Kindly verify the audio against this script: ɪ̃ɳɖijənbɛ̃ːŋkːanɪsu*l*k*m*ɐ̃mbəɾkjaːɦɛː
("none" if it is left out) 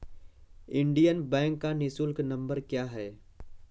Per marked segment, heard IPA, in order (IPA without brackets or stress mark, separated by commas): l, n